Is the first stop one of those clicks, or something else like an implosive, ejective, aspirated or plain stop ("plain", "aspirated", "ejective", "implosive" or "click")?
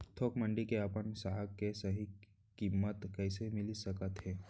aspirated